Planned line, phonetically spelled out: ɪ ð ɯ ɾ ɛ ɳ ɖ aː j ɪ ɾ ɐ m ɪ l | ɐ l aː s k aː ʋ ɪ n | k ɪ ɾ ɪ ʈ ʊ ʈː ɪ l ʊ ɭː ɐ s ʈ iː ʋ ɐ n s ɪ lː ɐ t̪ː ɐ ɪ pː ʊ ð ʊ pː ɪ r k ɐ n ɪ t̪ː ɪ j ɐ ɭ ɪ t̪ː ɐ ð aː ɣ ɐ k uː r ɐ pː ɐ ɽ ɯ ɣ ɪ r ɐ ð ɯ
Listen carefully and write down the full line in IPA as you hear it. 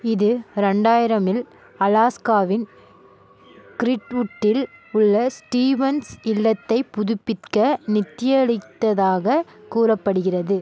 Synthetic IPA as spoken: ɪ ð ɯ ɾ ɛ ɳ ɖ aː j ɪ ɾ ɐ m ɪ l | ɐ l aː s k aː ʋ ɪ n | k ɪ ɾ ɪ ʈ ʊ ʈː ɪ l ʊ ɭː ɐ s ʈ iː ʋ ɐ n s ɪ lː ɐ t̪ː ɐ ɪ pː ʊ ð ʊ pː ɪ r k ɐ n ɪ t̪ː ɪ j ɐ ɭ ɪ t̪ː ɐ ð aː ɣ ɐ k uː r ɐ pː ɐ ɽ ɯ ɣ ɪ r ɐ ð ɯ